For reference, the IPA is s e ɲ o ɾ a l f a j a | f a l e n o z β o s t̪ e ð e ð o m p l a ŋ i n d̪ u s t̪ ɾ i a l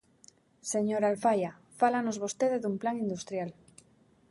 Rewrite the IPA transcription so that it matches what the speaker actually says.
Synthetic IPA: s e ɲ o ɾ a l f a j a | f a l a n o z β o s t̪ e ð e ð u m p l a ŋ i n d̪ u s t̪ ɾ j a l